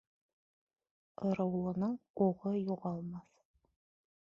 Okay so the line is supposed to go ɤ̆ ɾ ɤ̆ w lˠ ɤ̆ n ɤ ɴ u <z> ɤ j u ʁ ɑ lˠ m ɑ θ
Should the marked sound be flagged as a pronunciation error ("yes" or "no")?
yes